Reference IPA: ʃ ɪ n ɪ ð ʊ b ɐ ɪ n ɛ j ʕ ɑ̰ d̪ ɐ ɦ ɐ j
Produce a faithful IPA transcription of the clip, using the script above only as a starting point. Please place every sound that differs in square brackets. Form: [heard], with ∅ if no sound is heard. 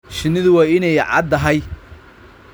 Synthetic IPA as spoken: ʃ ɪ n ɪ ð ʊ [w] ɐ ɪ n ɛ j ʕ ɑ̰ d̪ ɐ ɦ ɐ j

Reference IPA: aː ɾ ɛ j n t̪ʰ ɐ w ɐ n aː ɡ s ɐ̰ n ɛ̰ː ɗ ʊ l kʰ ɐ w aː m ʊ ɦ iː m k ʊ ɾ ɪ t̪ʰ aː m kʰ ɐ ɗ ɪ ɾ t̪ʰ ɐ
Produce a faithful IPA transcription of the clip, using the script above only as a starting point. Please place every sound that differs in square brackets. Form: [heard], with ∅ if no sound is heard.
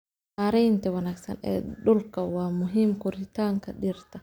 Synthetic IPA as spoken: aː ɾ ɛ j n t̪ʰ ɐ w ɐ n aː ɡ s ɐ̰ n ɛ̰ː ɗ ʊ l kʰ ɐ w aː m ʊ ɦ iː m k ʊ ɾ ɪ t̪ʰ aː [ŋ] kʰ ɐ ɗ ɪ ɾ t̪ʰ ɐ

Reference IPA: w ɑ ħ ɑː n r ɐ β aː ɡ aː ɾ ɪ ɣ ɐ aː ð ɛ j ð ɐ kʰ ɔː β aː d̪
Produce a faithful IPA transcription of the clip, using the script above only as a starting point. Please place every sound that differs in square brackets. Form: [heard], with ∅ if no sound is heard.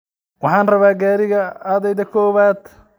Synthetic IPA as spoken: w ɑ ħ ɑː n r ɐ β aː ɡ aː ɾ ɪ ɣ ɐ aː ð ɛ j ð ɐ kʰ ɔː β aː d̪

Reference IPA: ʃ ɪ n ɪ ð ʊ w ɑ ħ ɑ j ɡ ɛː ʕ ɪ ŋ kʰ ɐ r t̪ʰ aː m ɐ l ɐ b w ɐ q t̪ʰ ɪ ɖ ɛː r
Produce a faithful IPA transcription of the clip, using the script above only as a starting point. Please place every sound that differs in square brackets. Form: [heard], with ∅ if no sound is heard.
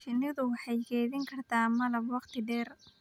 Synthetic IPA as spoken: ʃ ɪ n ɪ ð ʊ w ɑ ħ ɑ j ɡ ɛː [ð] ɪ ŋ kʰ ɐ r t̪ʰ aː m ɐ l ɐ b w [ɑ] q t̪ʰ ɪ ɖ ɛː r

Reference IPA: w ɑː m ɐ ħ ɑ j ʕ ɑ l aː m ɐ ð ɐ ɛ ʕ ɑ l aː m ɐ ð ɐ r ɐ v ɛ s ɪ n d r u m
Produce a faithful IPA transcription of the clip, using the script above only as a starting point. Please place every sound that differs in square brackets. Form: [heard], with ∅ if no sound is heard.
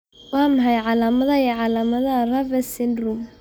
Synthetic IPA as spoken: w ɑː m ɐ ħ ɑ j ʕ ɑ l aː m ɐ ð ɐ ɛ ʕ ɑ l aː m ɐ ð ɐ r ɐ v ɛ s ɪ n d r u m

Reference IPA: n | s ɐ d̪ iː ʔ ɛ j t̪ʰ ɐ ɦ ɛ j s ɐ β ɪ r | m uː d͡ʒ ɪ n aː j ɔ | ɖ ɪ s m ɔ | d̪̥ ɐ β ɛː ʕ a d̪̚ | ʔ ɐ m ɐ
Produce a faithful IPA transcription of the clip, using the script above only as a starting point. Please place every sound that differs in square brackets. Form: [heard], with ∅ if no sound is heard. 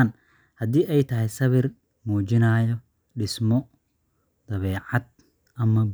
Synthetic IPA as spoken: n | [h] ɐ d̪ iː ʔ ɛ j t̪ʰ ɐ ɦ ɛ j s ɐ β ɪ r | m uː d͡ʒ ɪ n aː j ɔ | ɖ ɪ s m ɔ | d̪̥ ɐ β ɛː ʕ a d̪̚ | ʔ ɐ m ɐ

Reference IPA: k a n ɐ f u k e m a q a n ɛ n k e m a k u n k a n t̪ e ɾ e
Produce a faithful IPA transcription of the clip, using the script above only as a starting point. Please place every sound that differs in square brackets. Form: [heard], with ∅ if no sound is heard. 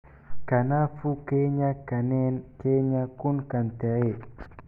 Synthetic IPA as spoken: k a n [a] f u k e [ɲ] a [k] a n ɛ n k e [ɲ] a k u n k a n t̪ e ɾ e

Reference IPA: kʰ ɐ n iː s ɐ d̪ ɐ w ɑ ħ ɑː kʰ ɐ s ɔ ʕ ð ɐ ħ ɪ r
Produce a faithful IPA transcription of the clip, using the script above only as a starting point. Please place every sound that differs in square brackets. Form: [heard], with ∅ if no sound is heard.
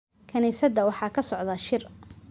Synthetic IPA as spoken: kʰ ɐ n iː s ɐ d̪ ɐ w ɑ ħ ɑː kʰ ɐ s ɔ ʕ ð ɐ [ʃ] ɪ r

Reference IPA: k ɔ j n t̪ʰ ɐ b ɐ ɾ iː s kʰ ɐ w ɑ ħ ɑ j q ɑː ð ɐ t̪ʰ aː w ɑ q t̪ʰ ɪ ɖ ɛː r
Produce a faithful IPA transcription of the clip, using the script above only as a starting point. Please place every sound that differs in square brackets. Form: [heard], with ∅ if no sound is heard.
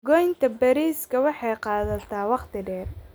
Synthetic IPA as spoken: [ɡ] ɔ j n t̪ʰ ɐ b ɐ ɾ iː s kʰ ɐ w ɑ ħ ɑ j q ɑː ð ɐ t̪ʰ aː w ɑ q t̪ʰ ɪ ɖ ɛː r

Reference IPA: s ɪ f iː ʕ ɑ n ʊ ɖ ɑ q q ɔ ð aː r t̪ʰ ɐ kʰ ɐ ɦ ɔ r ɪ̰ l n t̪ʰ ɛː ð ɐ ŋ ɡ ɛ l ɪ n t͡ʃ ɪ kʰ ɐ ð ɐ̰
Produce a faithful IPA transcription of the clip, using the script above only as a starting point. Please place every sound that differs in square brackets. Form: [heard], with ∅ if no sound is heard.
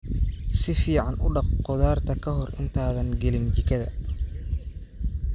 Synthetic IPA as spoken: s ɪ f iː ʕ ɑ n ʊ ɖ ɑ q q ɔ ð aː r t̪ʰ ɐ kʰ ɐ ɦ ɔ r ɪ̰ [∅] n t̪ʰ [aː] ð ɐ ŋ ɡ ɛ l ɪ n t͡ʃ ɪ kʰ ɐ ð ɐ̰

